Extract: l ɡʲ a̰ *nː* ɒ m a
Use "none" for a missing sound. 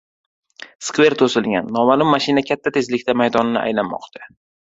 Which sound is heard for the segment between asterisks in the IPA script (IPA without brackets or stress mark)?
nː